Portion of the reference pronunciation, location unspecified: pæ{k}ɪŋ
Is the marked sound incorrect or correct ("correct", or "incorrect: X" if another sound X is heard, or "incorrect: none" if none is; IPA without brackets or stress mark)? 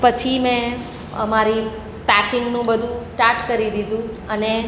correct